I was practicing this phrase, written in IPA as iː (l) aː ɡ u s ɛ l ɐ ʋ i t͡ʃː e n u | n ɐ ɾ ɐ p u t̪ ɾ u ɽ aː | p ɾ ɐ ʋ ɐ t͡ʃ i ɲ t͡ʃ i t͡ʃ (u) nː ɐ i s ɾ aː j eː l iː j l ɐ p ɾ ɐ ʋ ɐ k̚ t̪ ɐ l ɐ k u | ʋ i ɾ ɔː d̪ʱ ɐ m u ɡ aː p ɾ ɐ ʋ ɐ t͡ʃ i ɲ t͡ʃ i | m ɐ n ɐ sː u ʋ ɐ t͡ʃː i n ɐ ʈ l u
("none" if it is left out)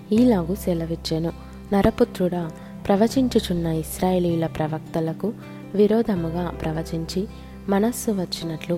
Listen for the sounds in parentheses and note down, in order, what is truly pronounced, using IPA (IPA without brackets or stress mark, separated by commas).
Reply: l, u